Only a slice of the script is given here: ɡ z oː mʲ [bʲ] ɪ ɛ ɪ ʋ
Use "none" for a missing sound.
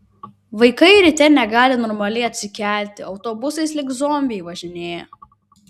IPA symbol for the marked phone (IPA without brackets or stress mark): bʲ